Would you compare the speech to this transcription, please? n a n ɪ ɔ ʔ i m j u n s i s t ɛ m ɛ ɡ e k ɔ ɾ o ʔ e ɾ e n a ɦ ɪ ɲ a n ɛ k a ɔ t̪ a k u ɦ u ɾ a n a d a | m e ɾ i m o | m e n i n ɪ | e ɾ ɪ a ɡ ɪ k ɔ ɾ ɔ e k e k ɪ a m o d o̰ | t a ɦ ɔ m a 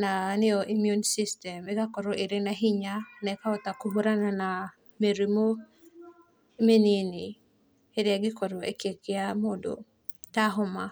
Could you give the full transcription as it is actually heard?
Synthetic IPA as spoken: n a n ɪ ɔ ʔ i m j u n s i s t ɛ m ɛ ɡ a k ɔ ɾ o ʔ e ɾ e n a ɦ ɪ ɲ a n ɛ k a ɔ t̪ a k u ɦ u ɾ a n a n a | m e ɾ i m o | m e n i n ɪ | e ɾ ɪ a ɡ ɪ k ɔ ɾ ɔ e k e k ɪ a m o d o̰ | t a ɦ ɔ m a